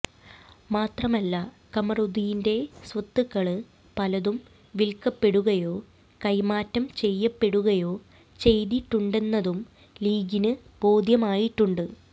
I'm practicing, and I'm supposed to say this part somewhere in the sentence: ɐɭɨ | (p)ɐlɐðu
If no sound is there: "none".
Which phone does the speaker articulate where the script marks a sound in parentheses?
p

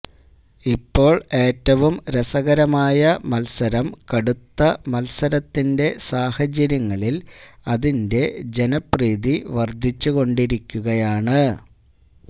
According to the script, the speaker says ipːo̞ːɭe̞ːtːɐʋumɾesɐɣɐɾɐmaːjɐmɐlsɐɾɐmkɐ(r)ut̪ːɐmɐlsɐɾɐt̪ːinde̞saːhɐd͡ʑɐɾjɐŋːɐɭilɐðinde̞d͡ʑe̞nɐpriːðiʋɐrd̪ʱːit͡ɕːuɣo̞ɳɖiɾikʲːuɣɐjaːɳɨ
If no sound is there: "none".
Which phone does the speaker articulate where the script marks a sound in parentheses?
ɽ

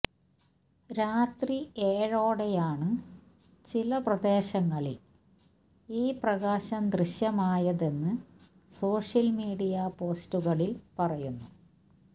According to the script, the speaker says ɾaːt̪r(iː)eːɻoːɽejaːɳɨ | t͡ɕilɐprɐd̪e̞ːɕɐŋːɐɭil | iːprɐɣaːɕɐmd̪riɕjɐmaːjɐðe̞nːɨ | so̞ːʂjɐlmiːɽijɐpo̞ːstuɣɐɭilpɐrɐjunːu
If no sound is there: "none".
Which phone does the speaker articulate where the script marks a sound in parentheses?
i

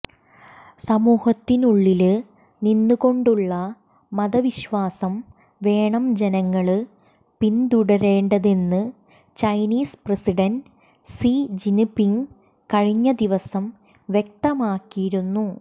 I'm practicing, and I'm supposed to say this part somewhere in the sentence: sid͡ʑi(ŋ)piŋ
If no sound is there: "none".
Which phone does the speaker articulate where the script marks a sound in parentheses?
n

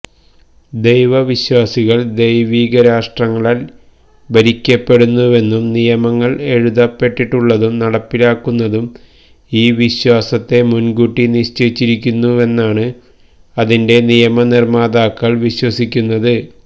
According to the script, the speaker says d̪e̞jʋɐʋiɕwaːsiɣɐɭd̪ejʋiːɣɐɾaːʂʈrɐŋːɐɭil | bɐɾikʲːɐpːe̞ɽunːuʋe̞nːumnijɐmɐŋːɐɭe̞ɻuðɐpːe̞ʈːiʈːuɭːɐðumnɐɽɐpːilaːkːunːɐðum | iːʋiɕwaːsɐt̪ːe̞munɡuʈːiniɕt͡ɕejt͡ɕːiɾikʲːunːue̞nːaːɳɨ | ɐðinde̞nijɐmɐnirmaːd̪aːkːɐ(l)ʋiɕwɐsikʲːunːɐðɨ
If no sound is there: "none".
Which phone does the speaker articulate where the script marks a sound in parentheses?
ɭ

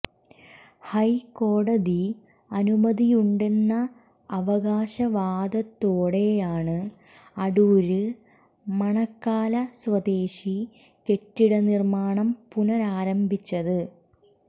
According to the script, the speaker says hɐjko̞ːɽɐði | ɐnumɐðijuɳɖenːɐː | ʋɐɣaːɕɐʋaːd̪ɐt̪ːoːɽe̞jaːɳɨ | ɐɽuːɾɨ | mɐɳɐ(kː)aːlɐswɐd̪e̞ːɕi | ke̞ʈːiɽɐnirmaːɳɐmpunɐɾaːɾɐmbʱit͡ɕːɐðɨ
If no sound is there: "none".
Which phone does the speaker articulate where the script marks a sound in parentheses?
kː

